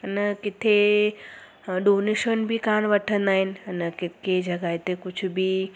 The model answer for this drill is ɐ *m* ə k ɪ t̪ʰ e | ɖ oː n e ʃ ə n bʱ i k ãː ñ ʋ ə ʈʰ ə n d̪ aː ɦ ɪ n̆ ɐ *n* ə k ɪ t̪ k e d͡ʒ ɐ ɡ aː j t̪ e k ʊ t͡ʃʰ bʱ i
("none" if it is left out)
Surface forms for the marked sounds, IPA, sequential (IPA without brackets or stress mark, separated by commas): n, n